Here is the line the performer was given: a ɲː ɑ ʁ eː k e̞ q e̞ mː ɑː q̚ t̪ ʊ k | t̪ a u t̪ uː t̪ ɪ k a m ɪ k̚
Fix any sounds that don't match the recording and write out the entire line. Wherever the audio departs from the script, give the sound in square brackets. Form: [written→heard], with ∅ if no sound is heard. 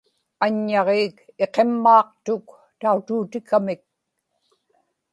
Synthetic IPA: a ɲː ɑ ʁ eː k e̞ q e̞ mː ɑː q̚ t̪ ʊ k | t̪ a u t̪ uː t̪ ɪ k a m ɪ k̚